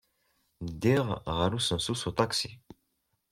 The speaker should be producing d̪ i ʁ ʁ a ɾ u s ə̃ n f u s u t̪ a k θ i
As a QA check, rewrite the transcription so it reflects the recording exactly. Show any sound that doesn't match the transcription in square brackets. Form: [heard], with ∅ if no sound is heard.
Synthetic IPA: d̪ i ʁ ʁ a ɾ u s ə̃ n [s] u s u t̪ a k [s] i